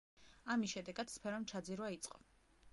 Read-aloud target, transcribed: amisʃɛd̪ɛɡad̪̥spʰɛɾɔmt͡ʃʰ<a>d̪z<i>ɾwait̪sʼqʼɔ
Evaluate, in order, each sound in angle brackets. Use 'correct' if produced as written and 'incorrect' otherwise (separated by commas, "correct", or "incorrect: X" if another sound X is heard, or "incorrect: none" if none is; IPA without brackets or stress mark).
correct, correct